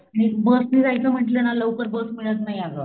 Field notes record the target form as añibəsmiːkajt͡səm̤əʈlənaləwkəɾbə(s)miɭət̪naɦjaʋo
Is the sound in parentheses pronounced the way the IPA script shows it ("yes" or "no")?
yes